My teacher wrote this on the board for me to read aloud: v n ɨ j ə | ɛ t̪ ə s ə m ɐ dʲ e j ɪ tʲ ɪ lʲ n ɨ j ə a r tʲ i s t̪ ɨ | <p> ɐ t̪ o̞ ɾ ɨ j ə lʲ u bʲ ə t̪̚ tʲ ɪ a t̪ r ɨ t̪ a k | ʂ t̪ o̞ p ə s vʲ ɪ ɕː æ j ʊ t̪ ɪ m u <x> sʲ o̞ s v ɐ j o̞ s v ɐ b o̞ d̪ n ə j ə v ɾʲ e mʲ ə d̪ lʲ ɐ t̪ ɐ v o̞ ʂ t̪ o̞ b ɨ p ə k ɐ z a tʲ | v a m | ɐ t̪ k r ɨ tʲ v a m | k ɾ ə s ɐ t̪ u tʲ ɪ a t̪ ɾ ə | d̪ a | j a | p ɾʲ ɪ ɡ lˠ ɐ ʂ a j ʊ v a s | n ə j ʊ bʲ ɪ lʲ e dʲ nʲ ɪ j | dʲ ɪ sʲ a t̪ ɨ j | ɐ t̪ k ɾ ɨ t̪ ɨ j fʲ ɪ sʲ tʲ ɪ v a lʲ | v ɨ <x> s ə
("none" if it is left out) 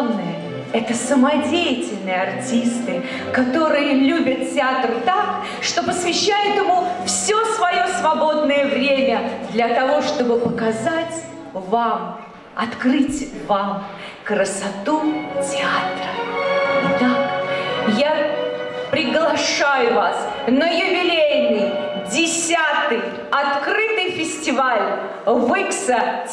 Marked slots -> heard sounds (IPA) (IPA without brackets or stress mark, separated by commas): k, f, k